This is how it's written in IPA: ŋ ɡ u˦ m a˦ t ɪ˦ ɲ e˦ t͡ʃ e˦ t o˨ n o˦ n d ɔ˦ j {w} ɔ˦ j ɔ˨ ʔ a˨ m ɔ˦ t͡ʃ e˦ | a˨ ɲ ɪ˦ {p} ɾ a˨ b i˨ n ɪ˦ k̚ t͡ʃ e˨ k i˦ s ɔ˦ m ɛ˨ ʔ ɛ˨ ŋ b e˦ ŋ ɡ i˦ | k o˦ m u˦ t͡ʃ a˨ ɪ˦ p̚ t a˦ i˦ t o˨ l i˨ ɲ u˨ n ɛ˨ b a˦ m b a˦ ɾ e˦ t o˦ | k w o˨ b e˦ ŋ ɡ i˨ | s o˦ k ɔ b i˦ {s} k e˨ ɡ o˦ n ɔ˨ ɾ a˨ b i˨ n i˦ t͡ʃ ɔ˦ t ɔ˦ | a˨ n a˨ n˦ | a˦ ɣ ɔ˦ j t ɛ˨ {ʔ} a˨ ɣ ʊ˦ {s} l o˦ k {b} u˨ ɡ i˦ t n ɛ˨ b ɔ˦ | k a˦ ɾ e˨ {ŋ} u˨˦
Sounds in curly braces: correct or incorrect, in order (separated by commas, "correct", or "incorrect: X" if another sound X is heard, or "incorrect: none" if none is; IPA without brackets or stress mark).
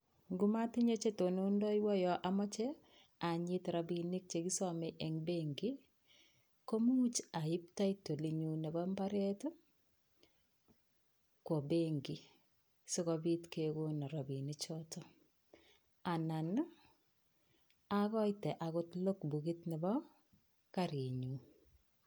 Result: correct, incorrect: t, incorrect: t, correct, incorrect: t, correct, incorrect: ɲ